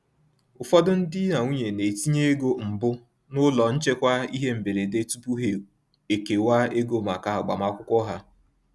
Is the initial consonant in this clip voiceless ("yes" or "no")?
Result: yes